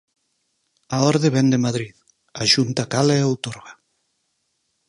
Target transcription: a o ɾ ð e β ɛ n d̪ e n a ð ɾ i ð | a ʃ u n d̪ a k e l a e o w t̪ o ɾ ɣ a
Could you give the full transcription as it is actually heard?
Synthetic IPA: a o ɾ ð e β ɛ n d̪ e m a ð ɾ i ð | a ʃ u n t̪ a k a l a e o w t̪ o ɾ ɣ a